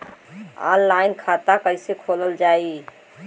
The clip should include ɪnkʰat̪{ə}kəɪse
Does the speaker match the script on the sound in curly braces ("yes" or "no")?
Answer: no